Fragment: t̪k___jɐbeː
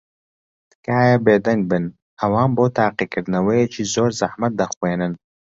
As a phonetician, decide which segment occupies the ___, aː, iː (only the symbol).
aː